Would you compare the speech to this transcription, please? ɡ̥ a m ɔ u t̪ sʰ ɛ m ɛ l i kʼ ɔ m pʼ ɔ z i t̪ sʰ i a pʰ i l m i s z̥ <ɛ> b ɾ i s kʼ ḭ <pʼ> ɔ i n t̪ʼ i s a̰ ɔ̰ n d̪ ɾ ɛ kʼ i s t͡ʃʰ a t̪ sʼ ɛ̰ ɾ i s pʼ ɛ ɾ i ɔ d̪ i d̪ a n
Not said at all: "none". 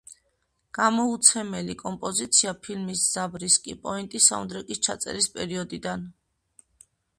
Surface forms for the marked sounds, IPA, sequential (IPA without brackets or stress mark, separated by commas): a, pʼ